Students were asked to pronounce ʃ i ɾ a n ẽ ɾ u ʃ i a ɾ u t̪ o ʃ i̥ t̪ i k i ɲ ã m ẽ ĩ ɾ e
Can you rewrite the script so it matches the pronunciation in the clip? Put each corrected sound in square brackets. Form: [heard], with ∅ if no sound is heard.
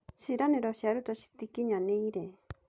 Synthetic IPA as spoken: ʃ i ɾ a n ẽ ɾ [o] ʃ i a ɾ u t̪ o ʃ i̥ t̪ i k i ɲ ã [n] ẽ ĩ ɾ e